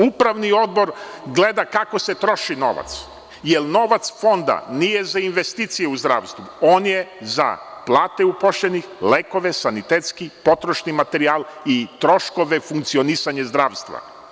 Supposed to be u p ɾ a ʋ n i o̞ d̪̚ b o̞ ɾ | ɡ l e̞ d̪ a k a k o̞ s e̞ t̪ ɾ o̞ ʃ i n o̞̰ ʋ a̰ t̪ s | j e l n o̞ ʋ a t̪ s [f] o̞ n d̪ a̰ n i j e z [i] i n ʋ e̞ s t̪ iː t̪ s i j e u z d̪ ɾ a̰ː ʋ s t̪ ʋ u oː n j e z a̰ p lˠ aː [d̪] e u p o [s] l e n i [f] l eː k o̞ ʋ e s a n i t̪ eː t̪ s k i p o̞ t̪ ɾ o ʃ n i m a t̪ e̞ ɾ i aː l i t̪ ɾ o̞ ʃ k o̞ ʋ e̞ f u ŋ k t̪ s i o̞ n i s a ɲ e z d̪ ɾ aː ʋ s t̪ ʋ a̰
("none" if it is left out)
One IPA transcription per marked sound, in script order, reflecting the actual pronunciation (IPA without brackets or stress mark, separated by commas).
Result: f, a, t̪, ʃ, x